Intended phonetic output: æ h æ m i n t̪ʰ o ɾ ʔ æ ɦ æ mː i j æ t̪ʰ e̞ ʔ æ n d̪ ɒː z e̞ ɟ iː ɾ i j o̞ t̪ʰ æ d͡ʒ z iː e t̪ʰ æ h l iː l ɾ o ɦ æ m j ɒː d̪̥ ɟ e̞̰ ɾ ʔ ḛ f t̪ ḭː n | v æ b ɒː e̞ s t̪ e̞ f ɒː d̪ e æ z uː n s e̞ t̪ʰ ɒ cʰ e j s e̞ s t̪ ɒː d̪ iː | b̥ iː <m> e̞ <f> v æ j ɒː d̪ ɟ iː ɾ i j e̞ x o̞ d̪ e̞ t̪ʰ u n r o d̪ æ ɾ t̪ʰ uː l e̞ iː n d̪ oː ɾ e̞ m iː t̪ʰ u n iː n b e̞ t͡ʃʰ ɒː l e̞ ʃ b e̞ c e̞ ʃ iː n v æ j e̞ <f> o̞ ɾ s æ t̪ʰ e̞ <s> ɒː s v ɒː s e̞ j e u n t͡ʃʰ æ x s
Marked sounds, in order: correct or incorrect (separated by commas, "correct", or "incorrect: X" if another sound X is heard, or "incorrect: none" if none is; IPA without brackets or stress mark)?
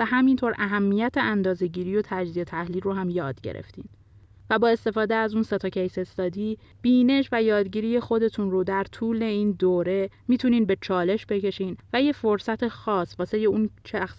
incorrect: n, incorrect: ʃ, correct, incorrect: x